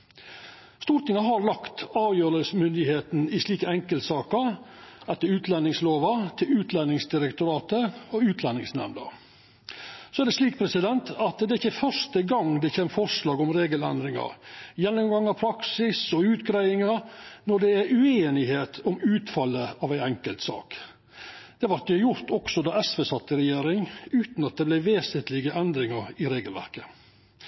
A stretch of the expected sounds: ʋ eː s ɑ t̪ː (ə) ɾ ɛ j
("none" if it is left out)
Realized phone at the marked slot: ə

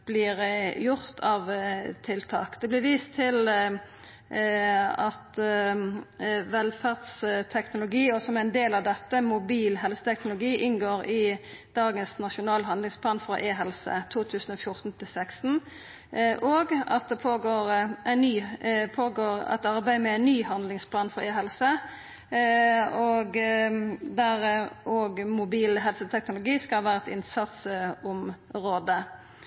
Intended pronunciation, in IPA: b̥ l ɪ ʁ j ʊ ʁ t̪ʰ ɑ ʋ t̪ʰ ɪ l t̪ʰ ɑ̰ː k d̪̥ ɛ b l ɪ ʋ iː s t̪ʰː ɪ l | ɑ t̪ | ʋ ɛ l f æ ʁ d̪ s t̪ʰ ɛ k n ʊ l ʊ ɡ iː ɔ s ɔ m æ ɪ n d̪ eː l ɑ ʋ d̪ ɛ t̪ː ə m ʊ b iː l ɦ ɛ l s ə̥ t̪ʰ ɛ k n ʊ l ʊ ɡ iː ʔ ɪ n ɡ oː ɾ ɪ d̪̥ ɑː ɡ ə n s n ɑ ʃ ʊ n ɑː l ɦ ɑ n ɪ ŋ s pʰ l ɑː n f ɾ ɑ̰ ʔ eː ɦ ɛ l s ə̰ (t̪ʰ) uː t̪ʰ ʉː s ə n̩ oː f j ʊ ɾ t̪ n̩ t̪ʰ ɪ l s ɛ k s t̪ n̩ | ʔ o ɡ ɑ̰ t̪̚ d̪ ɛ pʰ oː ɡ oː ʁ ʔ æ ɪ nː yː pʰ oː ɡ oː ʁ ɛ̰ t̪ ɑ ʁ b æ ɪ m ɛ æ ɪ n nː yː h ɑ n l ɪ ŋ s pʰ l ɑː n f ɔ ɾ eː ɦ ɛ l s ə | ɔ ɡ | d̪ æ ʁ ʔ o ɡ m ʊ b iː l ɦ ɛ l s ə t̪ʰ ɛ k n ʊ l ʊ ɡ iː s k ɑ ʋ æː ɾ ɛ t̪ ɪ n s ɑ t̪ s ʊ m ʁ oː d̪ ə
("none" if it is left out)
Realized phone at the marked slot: t̪ʰ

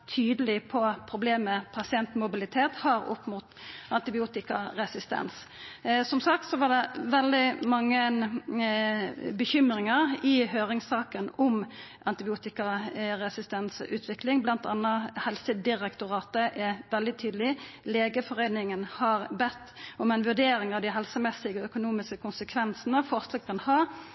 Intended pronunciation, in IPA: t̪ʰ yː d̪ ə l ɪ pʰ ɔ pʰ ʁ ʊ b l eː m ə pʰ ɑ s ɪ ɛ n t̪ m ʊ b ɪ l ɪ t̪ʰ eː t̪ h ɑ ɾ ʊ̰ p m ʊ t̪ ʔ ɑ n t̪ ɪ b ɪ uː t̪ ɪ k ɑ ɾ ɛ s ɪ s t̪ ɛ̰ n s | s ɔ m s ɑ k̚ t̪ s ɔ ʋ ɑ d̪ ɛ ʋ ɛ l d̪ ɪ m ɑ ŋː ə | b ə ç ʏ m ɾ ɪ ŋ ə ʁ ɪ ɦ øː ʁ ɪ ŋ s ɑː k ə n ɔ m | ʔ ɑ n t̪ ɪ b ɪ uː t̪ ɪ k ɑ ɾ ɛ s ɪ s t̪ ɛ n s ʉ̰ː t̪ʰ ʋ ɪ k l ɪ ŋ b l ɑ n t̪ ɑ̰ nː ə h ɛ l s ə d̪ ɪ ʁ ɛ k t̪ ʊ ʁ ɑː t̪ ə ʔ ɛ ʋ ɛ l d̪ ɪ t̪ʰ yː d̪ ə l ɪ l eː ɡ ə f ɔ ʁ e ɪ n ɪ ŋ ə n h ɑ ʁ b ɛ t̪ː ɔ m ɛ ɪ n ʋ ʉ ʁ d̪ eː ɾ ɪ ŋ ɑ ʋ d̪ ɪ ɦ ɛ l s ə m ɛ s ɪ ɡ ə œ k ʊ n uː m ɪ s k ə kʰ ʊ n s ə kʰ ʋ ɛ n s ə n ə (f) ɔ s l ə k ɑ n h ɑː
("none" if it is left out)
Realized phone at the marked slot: f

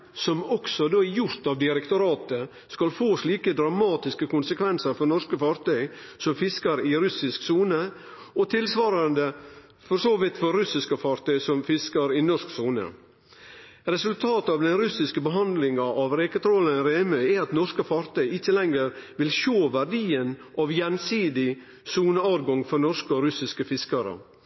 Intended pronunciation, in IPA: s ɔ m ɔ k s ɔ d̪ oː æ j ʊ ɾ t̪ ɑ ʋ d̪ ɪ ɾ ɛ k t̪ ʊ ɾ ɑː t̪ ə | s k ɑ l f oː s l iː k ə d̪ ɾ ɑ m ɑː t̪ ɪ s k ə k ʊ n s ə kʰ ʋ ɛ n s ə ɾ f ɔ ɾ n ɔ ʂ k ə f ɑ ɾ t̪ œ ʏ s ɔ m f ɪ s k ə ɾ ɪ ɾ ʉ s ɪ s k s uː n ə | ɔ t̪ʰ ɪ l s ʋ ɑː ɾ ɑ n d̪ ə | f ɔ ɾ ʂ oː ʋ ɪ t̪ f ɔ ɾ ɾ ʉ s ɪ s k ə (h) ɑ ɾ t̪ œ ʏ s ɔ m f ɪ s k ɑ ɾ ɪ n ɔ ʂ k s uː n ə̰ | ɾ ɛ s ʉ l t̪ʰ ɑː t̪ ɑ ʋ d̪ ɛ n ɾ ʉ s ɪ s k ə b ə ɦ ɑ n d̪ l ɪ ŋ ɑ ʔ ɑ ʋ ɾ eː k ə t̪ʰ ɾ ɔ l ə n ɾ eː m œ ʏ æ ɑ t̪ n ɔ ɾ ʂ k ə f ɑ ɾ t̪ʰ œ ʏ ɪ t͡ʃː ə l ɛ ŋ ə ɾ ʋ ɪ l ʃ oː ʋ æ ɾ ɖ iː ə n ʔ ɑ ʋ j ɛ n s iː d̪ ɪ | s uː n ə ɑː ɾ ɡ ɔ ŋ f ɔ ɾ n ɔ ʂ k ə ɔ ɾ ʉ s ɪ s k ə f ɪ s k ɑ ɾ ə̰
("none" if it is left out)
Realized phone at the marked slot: f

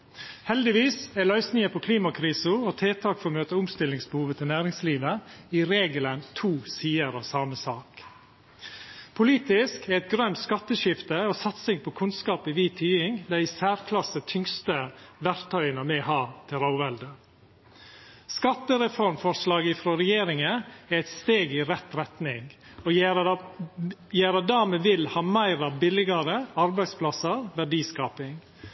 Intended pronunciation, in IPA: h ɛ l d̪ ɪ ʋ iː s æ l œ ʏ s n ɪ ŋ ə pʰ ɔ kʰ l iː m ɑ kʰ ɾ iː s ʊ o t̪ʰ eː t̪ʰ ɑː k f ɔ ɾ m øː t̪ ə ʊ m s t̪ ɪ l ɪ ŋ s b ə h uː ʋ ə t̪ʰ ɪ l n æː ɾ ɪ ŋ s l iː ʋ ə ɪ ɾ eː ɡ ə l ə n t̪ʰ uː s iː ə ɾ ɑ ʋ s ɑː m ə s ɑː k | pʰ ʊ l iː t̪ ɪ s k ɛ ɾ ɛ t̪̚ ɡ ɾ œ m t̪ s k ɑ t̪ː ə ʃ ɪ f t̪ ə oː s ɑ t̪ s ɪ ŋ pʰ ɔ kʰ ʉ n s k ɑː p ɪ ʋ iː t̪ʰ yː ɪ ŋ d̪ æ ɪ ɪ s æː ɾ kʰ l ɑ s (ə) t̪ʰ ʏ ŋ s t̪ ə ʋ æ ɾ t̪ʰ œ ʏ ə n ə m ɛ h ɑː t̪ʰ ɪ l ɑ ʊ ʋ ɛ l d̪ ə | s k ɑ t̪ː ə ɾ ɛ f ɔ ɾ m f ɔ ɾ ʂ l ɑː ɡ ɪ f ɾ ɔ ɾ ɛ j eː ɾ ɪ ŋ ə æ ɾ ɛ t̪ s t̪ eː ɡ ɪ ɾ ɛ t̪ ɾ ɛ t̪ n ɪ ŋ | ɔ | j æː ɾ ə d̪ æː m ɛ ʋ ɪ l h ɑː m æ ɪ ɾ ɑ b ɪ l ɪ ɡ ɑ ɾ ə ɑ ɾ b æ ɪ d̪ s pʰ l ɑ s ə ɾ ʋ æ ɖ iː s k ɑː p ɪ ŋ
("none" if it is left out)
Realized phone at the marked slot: ə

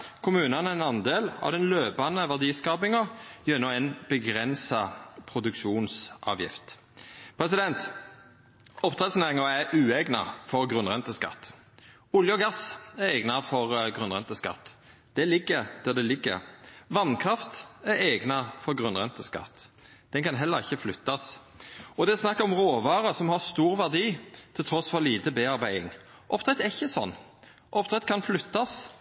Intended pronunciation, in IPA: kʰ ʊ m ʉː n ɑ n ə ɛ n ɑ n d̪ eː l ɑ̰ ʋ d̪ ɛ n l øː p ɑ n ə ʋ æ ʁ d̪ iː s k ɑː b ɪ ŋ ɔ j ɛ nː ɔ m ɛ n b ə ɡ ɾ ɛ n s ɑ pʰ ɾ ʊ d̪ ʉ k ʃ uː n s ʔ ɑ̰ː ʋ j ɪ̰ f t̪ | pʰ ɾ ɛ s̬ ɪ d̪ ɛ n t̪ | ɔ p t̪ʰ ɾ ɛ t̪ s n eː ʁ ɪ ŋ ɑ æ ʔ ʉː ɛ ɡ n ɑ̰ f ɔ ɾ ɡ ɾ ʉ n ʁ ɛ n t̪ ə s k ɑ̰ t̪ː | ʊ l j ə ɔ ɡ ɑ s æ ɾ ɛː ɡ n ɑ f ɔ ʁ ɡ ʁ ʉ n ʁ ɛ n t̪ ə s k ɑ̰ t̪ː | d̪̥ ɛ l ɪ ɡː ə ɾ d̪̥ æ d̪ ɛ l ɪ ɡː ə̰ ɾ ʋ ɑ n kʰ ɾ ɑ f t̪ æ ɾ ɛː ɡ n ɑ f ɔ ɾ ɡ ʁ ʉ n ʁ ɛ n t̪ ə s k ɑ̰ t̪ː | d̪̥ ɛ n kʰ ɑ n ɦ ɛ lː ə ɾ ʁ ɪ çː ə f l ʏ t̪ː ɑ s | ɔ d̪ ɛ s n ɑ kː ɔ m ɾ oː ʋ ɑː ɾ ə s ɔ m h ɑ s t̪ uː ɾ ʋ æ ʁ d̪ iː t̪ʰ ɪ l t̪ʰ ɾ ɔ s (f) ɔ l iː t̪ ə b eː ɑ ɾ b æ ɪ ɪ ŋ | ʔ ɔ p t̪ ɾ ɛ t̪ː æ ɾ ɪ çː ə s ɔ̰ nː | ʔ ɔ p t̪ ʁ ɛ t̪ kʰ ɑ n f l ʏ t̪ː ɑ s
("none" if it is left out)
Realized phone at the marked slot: f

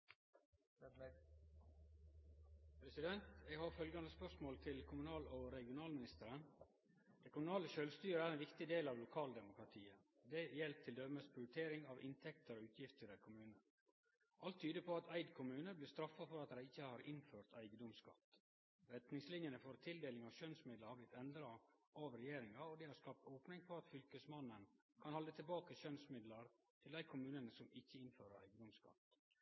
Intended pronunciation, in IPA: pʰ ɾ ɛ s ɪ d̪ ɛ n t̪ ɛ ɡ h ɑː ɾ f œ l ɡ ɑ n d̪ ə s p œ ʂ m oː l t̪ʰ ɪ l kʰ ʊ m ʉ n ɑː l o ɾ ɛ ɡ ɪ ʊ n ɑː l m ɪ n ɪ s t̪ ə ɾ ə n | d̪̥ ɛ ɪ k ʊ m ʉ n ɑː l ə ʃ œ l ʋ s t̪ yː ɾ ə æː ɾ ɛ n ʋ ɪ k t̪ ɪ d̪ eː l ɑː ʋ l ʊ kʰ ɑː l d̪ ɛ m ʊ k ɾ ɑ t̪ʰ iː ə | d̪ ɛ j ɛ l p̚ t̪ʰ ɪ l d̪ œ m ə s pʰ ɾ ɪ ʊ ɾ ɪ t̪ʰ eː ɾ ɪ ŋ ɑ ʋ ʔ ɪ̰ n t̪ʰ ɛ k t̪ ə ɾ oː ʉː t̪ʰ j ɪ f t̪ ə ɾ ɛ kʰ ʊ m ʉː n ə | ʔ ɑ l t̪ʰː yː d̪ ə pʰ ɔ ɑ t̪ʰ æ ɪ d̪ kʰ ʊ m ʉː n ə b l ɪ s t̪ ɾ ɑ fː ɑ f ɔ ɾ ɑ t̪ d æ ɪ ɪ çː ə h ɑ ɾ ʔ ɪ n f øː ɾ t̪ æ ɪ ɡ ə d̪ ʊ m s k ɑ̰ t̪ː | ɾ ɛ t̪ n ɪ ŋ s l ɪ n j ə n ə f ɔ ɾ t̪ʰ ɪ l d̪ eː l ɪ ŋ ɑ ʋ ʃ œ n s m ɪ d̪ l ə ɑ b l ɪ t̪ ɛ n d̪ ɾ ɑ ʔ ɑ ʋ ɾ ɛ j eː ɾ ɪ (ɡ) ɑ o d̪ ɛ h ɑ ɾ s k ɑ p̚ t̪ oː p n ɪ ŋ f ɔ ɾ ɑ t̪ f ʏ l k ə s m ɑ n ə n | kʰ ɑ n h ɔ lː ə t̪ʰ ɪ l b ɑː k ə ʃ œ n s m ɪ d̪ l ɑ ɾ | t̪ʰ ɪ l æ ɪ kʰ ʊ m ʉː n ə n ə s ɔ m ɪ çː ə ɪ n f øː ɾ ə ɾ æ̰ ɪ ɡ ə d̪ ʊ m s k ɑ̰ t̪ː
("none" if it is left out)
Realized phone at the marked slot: ŋ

